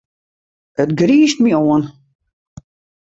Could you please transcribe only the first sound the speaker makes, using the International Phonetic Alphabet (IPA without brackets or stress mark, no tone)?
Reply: ə